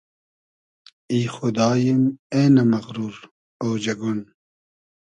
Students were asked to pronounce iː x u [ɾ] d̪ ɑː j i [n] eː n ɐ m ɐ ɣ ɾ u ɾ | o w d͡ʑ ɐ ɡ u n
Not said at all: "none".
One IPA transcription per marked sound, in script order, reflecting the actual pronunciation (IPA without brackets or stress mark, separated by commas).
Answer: none, m